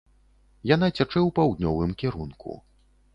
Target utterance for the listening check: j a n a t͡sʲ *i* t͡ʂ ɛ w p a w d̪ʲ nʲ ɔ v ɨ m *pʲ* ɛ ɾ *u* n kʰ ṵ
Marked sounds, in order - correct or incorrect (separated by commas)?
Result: incorrect, incorrect, correct